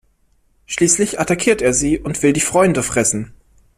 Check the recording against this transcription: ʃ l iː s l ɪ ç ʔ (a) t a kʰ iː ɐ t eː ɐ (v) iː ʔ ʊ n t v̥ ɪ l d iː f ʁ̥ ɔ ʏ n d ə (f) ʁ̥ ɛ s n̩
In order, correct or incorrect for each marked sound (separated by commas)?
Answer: correct, incorrect, correct